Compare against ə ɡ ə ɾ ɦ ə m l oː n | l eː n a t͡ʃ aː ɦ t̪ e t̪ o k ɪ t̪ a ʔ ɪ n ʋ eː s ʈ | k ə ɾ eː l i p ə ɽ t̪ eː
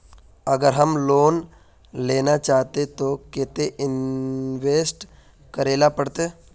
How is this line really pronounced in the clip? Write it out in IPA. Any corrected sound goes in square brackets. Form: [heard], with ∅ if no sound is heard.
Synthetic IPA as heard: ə ɡ ə ɾ ɦ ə m l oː n | l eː n a t͡ʃ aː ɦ t̪ e t̪ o k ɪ t̪ [e] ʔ ɪ n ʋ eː s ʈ | k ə ɾ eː l [a] p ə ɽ t̪ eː